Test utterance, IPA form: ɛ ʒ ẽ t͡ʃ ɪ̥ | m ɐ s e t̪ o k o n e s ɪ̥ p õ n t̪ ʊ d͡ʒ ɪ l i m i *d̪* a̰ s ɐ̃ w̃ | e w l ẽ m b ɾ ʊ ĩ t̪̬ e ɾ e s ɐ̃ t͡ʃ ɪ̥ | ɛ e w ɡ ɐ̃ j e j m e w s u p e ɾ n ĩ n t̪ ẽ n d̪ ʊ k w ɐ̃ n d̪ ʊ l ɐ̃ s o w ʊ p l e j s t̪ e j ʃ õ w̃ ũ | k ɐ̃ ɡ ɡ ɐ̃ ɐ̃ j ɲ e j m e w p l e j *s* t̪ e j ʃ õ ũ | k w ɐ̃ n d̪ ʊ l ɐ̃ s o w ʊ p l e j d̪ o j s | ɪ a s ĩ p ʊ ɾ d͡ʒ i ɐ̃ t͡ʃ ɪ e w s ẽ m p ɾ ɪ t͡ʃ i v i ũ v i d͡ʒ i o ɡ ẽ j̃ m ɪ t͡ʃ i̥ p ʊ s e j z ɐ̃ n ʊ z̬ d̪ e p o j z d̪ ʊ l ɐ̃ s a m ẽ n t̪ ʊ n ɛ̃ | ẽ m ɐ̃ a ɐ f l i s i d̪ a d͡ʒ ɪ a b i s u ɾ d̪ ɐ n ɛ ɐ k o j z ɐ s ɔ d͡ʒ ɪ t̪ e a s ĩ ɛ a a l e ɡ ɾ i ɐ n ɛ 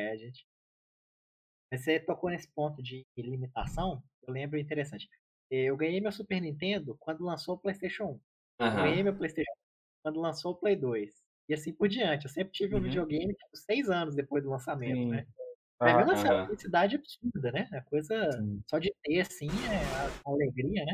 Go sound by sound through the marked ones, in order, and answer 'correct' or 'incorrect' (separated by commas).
incorrect, correct